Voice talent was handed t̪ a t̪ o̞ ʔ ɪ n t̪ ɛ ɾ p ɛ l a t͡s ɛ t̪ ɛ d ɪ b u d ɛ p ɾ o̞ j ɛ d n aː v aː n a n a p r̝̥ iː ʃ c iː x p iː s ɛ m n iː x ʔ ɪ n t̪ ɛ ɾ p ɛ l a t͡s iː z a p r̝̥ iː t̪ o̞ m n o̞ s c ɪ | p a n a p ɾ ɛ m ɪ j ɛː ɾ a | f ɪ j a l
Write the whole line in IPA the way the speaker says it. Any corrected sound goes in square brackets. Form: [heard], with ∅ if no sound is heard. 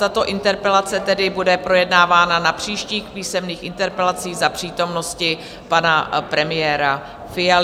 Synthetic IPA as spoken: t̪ a t̪ o̞ ʔ ɪ n t̪ ɛ ɾ p ɛ l a t͡s ɛ t̪ ɛ d ɪ b u d ɛ p ɾ o̞ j ɛ d n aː v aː n a n a p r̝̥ iː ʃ c iː x p iː s ɛ m n iː x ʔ ɪ n t̪ ɛ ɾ p ɛ l a t͡s iː z a p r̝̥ iː t̪ o̞ m n o̞ s c ɪ | p a n a p ɾ ɛ m ɪ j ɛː ɾ a | f ɪ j a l